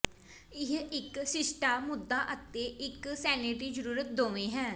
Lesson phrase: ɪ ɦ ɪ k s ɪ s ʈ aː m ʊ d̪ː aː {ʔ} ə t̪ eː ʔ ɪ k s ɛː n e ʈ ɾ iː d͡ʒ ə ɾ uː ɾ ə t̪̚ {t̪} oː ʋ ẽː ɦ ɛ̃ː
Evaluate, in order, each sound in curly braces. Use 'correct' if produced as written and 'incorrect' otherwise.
correct, incorrect: d̪

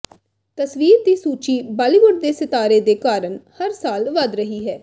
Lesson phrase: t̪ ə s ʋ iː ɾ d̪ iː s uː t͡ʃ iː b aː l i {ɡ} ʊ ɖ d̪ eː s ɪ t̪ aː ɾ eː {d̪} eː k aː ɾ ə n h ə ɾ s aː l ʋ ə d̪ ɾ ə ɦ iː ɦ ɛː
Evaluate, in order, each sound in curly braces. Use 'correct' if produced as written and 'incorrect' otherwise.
correct, correct

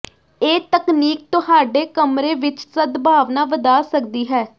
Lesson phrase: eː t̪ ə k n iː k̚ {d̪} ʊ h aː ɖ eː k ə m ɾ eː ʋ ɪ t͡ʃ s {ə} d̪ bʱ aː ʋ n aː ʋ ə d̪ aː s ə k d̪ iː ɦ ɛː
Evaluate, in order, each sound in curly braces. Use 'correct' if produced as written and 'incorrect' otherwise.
incorrect: t̪, correct

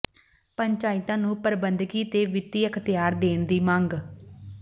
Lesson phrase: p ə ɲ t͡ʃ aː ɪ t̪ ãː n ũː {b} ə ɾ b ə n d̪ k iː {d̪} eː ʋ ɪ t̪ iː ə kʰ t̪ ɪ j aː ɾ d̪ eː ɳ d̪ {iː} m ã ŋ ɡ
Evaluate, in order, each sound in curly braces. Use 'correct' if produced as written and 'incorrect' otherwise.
incorrect: p, incorrect: t̪, correct

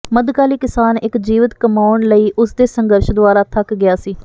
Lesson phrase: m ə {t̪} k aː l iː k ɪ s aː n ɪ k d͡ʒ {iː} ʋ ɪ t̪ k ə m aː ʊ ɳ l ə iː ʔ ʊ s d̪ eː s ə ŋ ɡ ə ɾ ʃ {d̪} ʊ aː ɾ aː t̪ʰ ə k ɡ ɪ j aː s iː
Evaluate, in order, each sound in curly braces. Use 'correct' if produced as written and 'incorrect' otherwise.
incorrect: d̪, correct, correct

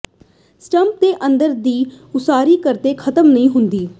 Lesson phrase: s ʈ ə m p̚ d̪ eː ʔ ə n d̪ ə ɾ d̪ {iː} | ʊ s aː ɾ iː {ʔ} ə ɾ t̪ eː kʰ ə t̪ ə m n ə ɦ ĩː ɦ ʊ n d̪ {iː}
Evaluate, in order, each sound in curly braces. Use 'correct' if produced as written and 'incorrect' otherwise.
correct, incorrect: k, correct

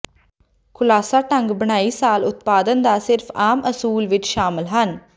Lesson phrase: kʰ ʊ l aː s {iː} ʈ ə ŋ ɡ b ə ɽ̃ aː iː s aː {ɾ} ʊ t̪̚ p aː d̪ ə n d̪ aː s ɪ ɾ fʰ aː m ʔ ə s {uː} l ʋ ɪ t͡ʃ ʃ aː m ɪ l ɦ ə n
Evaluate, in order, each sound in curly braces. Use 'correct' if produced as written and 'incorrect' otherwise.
incorrect: aː, incorrect: l, correct

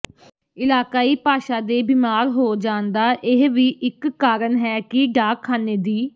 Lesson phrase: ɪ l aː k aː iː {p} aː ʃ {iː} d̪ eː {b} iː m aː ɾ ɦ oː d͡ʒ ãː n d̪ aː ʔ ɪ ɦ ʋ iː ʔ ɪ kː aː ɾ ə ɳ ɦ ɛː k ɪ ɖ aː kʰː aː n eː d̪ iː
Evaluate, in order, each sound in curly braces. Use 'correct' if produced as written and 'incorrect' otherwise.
correct, incorrect: aː, correct

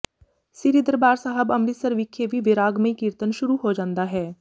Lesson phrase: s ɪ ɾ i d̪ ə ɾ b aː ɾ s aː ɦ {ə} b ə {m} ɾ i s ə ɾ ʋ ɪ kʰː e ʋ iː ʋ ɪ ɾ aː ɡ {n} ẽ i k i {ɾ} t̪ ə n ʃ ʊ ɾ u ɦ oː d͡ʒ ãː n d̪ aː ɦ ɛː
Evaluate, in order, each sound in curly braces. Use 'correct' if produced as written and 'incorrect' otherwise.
correct, correct, incorrect: m, correct

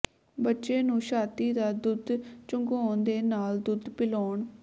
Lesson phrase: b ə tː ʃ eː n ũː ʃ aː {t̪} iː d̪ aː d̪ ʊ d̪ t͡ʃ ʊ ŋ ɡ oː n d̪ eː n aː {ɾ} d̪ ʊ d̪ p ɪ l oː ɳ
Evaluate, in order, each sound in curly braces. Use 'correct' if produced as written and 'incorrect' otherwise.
correct, incorrect: l

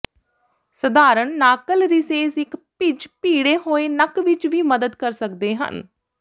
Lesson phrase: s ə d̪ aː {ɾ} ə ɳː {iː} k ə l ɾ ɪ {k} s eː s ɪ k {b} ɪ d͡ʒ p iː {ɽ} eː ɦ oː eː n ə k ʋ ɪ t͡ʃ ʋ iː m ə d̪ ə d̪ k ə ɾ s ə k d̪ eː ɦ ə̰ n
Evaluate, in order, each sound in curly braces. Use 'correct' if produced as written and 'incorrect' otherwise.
correct, incorrect: aː, incorrect: none, incorrect: p, correct

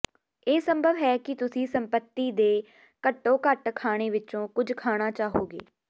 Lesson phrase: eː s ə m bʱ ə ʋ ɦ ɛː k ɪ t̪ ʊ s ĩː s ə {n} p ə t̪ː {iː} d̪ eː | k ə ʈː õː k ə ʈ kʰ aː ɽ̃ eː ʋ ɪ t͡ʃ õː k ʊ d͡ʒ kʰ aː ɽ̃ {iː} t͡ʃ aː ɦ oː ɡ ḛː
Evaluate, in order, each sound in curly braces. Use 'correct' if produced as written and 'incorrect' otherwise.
incorrect: m, correct, incorrect: aː

